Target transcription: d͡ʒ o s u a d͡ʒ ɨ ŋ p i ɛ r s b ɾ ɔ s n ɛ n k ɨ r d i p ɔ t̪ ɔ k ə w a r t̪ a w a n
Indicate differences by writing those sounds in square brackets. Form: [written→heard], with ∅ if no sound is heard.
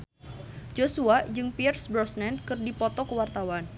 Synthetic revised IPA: d͡ʒ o s u a d͡ʒ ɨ ŋ p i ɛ r s b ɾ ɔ s n ɛ n k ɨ r d i p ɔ t̪ ɔ k ə w a r t̪ a w a n